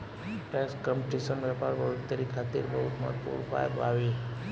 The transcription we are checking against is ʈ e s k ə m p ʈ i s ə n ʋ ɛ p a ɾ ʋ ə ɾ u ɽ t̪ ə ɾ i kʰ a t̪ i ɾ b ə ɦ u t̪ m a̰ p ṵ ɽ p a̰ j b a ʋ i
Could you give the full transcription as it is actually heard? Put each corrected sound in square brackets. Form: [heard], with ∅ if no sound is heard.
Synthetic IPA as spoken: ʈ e s k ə m p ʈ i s ə n ʋ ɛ p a ɾ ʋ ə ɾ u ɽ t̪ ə ɾ i kʰ a t̪ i ɾ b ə ɦ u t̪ m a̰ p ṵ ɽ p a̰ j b a ʋ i